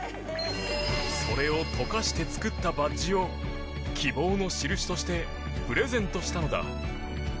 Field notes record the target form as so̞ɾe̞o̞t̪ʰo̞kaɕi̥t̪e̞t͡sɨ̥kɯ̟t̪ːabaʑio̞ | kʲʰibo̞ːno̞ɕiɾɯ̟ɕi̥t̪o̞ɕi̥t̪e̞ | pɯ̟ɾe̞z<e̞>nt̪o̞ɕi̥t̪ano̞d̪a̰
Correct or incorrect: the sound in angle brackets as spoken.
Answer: incorrect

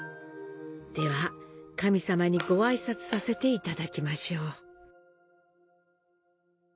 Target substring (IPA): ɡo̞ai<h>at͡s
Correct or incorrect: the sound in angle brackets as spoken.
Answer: incorrect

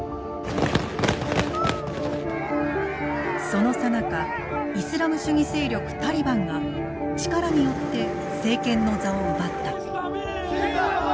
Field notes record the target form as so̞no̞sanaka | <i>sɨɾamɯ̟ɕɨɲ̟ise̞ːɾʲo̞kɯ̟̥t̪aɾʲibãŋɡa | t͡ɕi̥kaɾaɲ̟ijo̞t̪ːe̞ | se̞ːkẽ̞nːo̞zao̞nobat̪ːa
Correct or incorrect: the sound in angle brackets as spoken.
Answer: correct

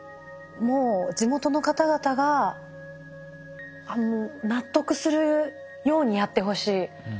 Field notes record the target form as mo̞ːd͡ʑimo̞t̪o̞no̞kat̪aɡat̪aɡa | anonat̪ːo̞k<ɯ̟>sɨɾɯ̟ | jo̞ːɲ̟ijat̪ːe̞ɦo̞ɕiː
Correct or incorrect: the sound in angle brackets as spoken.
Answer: correct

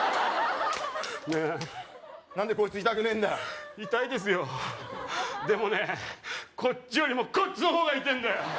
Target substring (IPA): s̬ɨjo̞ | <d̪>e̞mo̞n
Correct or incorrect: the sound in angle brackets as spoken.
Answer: correct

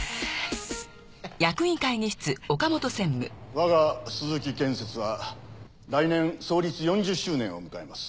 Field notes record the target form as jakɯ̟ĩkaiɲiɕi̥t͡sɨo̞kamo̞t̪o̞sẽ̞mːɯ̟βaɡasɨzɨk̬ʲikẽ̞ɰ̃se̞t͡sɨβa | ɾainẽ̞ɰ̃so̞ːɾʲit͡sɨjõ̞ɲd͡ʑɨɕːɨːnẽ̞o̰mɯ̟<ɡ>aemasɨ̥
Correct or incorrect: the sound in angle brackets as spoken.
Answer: incorrect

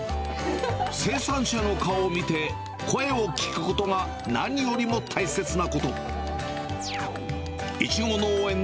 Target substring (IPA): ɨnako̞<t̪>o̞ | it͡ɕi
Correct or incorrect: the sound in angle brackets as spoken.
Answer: correct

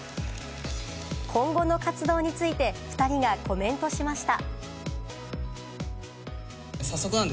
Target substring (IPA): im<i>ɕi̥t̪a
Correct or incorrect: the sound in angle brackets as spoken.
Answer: incorrect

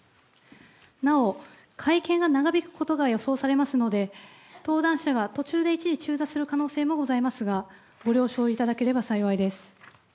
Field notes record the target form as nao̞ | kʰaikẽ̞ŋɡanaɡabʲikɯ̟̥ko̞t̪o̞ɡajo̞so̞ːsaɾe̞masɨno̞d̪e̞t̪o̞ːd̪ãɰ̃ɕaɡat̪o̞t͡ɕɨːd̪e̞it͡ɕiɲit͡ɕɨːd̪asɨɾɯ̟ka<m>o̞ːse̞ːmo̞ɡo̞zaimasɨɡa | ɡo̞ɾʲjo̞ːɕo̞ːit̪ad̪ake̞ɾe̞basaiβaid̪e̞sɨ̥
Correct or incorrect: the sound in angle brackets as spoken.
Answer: incorrect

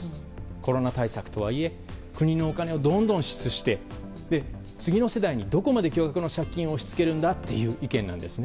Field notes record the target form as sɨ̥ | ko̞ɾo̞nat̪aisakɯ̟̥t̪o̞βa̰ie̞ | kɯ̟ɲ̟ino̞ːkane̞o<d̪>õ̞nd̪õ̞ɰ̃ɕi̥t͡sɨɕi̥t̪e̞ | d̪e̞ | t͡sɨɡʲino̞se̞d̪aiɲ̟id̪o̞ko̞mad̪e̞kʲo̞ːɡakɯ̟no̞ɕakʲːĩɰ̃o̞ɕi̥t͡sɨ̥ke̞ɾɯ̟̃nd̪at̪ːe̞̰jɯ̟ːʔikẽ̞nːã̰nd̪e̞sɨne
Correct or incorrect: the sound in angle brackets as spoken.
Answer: correct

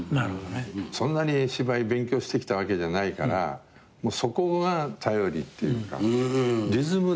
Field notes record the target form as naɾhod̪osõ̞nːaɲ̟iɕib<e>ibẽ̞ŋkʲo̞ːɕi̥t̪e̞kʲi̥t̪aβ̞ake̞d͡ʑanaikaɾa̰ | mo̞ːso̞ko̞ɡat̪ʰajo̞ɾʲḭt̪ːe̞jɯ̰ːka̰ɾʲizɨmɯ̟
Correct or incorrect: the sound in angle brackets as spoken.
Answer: incorrect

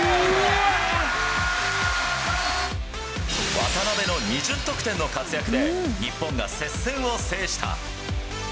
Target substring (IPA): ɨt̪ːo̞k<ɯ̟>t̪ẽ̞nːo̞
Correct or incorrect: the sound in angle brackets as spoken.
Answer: correct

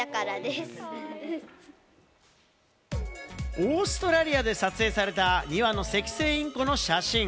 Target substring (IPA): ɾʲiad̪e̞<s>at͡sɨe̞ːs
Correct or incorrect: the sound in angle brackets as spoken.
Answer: correct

